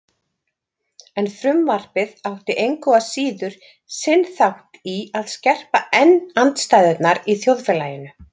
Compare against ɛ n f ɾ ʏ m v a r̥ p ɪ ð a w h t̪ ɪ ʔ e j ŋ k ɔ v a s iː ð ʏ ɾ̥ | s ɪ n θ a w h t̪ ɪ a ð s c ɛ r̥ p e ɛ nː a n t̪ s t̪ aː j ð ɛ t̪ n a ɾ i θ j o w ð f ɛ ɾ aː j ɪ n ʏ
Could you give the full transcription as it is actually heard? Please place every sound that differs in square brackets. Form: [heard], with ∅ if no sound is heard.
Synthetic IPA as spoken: ɛ n f ɾ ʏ m v a r̥ p ɪ ð a w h t̪ ɪ ʔ e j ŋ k ɔ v a s iː ð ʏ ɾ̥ | s ɪ n θ a w h t̪ [i] a ð s c ɛ r̥ p [a] ɛ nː a n t̪ s t̪ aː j ð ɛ t̪ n a ɾ i θ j o w ð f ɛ [l] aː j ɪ n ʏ